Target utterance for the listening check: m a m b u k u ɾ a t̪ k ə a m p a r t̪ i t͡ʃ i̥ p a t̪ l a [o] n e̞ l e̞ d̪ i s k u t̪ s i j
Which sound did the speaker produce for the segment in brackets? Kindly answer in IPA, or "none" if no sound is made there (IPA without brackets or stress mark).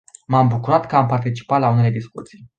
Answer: u